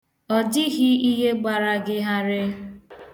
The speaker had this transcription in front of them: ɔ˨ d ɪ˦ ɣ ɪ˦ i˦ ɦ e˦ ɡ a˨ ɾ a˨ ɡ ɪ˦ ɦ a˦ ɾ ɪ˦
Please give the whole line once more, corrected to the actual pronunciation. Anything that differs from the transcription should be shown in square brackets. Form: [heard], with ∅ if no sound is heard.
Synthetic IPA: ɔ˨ d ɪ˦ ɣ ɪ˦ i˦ ɦ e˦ [ɡ͡b] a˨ ɾ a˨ ɡ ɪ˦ ɦ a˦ ɾ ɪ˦